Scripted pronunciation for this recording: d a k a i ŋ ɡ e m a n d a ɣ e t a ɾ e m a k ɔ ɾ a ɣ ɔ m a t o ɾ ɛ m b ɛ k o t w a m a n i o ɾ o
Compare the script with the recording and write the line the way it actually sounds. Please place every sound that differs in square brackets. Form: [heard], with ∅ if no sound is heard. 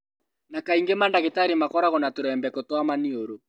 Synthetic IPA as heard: [n] a k a i ŋ ɡ e m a n d a ɣ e t a ɾ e m a k ɔ ɾ a ɣ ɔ [n] a t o ɾ ɛ m b ɛ k o t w a m a n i o ɾ o

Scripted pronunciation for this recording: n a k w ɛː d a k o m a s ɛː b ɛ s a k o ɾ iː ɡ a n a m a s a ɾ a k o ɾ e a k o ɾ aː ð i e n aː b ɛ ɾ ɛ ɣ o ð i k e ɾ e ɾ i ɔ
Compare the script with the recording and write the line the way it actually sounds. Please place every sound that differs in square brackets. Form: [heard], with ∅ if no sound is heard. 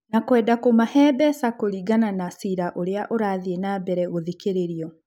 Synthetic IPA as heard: n a k w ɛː d a k o m a [h] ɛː b ɛ s a k o ɾ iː ɡ a n a [n] a s [i] ɾ a [ʔ] o ɾ e a [ʔ] o ɾ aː ð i e n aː b ɛ ɾ ɛ ɣ o ð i k e ɾ e ɾ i ɔ

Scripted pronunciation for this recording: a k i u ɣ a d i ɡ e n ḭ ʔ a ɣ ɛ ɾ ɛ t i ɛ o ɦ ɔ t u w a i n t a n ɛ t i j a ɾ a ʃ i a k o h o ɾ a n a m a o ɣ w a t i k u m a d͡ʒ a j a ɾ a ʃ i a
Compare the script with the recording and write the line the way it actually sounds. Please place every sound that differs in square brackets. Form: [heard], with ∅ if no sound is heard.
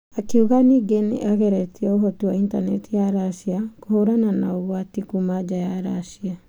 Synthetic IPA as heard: a k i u ɣ a [n] i ɡ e n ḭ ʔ a ɣ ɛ ɾ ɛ t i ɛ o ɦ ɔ t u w a i n t a n ɛ t i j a ɾ a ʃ i a k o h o ɾ a n a [n] a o ɣ w a t i k u m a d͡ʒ a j a ɾ a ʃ i a

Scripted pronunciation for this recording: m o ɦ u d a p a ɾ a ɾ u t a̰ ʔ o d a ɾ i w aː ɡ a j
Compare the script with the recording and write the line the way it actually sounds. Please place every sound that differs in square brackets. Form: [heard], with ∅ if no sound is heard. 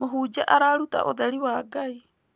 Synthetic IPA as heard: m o ɦ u [d͡ʒ] a [ʔ] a ɾ a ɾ u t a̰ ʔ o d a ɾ i w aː ɡ a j

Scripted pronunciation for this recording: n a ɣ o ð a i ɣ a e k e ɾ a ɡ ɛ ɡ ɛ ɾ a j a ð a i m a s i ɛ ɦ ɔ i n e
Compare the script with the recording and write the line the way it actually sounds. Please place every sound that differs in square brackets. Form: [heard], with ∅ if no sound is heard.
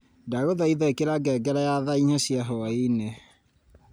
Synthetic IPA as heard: [d] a ɣ o ð a i [ð] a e k e ɾ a ɡ ɛ ɡ ɛ ɾ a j a ð a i [ɲ] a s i [a] ɦ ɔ i n e

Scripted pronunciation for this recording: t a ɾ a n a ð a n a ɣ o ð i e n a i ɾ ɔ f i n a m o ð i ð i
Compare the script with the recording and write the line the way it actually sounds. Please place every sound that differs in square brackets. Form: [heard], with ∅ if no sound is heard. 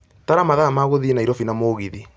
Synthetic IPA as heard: t a ɾ a [m] a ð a [m] a ɣ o ð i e n a i ɾ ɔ f i n a m o [ɣ] i ð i

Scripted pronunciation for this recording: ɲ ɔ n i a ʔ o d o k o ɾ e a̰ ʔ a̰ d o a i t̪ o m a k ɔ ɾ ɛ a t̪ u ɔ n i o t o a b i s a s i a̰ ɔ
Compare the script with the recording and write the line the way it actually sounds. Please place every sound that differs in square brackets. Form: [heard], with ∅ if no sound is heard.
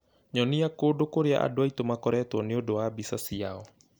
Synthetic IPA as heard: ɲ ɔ n i a [k] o d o k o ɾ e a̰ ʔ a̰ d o a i t̪ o m a k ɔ ɾ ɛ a t̪ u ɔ n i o [d] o a b i s a s i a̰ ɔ

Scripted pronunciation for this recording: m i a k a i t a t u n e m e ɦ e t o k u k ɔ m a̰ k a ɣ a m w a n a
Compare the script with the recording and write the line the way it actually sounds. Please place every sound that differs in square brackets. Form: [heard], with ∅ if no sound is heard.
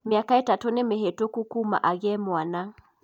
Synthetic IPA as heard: m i a k a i t a t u n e m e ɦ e t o k u k [u] m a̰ [ʔ] a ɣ [ɛ] m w a n a

